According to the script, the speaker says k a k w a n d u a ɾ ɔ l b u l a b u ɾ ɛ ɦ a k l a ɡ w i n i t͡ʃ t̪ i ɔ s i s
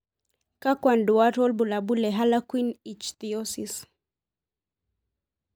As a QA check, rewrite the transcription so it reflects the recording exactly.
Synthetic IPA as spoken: k a k w a n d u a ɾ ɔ l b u l a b u l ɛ ɦ a l a k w i n i t͡ʃ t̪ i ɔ s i s